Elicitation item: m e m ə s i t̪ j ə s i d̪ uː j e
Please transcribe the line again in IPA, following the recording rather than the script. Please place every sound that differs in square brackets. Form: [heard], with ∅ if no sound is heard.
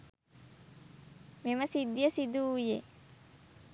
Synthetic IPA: m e m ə s i [d̪] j ə s i d̪ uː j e